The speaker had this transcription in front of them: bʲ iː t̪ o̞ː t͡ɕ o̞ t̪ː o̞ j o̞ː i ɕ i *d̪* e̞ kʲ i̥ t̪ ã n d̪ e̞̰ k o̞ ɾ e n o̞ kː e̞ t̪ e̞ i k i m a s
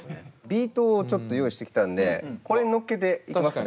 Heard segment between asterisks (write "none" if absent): t̪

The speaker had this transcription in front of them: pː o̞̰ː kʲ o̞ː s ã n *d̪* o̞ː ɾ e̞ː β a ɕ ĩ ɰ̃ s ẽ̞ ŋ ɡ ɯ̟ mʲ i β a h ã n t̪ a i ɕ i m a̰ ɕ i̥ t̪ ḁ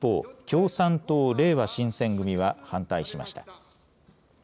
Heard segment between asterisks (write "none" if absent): t̪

